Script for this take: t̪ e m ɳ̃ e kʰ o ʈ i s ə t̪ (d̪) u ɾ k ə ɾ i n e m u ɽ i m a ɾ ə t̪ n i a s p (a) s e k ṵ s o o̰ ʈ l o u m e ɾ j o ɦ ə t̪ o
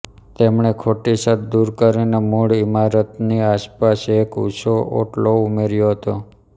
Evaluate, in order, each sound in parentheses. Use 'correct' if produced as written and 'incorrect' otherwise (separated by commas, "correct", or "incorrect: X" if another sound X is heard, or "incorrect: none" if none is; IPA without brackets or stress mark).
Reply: correct, correct